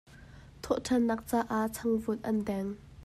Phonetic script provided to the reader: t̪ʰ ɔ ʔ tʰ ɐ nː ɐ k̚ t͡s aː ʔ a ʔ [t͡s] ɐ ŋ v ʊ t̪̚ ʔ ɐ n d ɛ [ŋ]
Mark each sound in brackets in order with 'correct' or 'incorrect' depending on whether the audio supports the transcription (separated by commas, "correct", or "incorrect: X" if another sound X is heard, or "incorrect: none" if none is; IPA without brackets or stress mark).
incorrect: t͡sʰ, correct